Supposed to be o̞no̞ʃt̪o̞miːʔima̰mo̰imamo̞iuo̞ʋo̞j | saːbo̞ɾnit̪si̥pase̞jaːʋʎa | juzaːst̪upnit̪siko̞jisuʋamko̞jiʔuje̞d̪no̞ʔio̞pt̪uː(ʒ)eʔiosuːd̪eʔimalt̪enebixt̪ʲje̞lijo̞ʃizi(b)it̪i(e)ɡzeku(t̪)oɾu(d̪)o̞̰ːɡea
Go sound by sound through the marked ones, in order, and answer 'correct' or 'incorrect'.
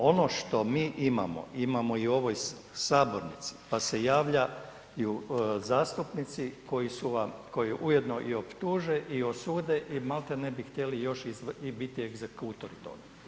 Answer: correct, correct, correct, correct, incorrect: t̪

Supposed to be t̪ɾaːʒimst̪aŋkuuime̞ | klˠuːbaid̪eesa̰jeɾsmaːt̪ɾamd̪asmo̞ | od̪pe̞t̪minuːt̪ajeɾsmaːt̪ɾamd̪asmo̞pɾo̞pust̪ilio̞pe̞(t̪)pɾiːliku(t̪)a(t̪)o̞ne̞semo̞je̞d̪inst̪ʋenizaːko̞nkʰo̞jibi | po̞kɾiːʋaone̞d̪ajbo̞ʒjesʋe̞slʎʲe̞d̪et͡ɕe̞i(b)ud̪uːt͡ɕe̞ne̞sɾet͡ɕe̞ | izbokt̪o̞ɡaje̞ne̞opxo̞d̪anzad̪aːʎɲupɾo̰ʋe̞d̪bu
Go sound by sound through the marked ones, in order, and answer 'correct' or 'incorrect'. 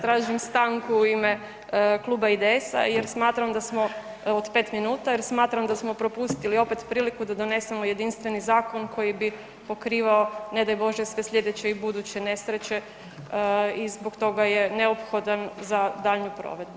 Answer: correct, incorrect: d̪, incorrect: d̪, correct

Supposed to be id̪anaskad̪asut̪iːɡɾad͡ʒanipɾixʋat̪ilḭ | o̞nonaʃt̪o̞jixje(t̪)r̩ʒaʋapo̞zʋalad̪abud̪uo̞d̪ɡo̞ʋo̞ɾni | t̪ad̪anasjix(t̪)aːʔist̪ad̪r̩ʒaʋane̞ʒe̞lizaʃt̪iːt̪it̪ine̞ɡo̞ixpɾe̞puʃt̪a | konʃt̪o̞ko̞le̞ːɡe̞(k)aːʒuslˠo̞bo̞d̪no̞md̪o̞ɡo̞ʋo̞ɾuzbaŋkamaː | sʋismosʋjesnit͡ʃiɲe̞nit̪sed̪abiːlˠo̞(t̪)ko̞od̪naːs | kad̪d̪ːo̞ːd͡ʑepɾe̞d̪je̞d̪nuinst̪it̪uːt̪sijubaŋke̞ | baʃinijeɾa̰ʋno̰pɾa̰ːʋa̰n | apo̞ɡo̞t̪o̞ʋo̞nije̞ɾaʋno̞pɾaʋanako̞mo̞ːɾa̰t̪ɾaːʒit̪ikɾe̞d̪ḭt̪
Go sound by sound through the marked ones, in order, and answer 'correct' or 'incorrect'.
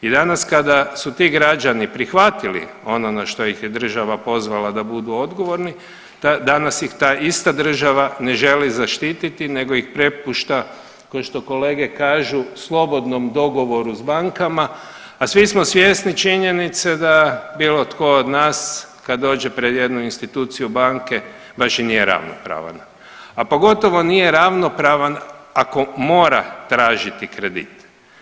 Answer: incorrect: d̪, correct, correct, correct

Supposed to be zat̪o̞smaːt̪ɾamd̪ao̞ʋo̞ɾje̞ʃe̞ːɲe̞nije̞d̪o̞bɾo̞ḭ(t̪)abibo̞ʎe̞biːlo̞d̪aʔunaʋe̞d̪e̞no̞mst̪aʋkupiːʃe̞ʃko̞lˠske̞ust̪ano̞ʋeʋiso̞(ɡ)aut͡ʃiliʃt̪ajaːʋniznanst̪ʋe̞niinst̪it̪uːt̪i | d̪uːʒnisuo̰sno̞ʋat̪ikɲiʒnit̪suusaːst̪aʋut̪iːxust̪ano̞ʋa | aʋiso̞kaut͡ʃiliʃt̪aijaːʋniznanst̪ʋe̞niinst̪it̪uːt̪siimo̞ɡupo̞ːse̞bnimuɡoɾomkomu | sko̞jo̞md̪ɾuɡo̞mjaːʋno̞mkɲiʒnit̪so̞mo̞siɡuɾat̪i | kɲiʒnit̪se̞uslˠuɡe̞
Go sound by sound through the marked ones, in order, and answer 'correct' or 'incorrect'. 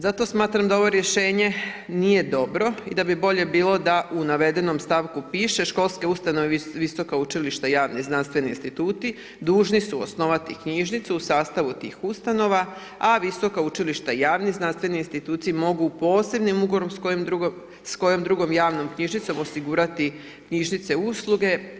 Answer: incorrect: d̪, incorrect: k

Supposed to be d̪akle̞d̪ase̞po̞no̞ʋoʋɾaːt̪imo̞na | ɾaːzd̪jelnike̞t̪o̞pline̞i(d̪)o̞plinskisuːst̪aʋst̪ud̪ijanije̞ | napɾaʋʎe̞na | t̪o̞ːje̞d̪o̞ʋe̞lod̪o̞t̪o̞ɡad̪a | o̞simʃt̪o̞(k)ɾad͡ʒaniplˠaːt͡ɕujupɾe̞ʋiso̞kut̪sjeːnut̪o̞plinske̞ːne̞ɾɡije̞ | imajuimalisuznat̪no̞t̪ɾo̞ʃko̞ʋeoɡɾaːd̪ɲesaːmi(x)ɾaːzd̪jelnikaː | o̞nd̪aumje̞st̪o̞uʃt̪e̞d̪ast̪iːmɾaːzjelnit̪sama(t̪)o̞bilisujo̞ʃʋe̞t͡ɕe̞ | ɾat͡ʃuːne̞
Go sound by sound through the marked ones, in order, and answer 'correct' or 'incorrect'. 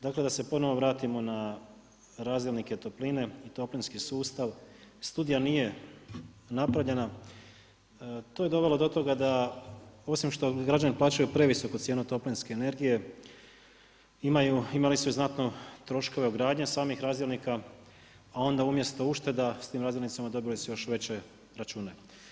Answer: incorrect: t̪, incorrect: ɡ, correct, incorrect: d̪

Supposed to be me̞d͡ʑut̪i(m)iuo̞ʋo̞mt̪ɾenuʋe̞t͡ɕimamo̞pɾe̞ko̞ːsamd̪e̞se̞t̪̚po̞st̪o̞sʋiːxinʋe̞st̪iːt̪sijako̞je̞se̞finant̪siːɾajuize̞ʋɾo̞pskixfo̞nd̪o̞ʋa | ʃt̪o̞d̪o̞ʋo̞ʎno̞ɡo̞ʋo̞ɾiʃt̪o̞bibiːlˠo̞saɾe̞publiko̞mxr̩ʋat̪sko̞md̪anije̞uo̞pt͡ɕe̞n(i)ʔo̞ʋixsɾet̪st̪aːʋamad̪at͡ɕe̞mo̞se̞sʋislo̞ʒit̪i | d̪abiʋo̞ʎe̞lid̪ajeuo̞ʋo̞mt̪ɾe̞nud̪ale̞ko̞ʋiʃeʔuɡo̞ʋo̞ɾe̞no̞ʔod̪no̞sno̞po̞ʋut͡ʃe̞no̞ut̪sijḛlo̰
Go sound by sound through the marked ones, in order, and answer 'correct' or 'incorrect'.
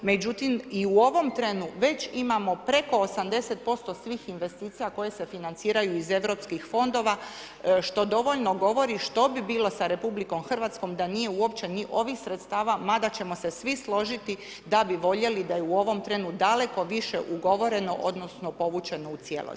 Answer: correct, correct

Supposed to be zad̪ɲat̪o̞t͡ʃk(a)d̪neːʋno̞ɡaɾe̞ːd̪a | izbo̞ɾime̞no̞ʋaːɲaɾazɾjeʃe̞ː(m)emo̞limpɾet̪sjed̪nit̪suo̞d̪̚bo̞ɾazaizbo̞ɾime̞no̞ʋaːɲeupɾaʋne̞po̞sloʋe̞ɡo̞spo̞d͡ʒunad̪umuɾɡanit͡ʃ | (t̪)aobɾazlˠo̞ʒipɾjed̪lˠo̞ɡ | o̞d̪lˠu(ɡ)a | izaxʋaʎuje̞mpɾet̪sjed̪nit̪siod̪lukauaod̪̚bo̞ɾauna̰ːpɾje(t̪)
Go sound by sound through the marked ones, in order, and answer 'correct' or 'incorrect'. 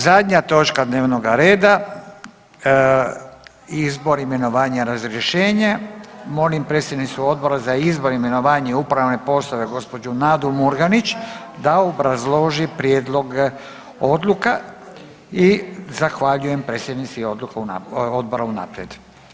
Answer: correct, incorrect: ɲ, incorrect: d̪, incorrect: k, incorrect: d̪

